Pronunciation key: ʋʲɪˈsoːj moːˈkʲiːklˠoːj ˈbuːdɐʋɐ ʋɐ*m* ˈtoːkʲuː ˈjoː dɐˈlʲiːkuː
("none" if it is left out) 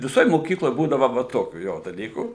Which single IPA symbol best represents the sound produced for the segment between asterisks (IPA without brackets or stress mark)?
none